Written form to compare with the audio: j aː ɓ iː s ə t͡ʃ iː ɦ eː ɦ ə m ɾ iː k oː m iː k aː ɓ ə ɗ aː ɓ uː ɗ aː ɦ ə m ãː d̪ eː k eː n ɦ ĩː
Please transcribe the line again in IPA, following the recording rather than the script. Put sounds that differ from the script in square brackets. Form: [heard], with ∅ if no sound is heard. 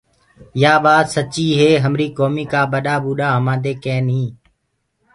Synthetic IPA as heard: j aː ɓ [aː] s ə t͡ʃ iː ɦ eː ɦ ə m ɾ iː k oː m iː k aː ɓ ə ɗ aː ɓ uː ɗ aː ɦ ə m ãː d̪ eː k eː n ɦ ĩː